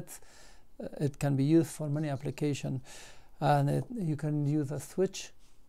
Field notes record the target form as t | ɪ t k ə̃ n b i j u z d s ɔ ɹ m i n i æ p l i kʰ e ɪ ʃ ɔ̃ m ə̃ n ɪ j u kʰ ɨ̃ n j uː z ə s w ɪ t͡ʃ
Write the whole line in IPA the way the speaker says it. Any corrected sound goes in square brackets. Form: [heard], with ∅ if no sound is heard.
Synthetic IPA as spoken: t | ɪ t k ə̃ n b i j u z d [f] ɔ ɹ m [ɛ] n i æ p l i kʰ e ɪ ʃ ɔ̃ [n] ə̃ n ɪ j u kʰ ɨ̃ n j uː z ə s w ɪ t͡ʃ